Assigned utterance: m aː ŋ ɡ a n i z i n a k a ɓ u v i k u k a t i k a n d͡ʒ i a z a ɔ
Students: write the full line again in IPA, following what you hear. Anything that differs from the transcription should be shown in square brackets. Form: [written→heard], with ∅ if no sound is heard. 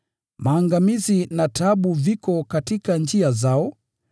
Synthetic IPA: m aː ŋ ɡ a [n→m] i z i n a [k→t] a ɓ u v i k [u→ɔ] k a t i k a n d͡ʒ i a z a ɔ

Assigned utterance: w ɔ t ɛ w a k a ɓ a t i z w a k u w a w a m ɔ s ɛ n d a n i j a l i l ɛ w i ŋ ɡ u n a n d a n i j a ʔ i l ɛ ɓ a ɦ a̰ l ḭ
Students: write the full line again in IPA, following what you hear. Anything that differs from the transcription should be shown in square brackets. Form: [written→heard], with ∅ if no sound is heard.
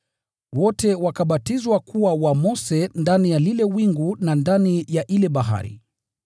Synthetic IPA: w ɔ t ɛ w a k a ɓ a t i z w a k u w a w a m ɔ s ɛ n d a n i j a l i l ɛ w i ŋ ɡ u n a n d a n i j a ʔ i l ɛ ɓ a ɦ a̰ [l→ɾ] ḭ

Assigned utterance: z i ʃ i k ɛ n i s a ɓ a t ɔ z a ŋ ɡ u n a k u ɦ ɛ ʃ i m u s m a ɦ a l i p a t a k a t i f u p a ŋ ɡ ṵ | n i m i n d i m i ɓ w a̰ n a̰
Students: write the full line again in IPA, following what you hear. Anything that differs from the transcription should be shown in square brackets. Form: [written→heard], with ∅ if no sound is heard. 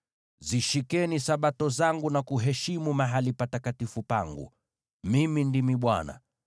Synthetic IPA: z i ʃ i k ɛ n i s a ɓ a t ɔ z a ŋ ɡ u n a k u ɦ ɛ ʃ i m u [s→∅] m a ɦ a l i p a t a k a t i f u p a ŋ ɡ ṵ | [n→m] i m i n d i m i ɓ w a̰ n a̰

